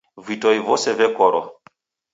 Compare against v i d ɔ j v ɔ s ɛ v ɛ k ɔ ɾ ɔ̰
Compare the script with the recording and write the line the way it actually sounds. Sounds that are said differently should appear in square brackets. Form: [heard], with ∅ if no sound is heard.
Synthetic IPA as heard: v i [t] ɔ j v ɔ s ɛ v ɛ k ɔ ɾ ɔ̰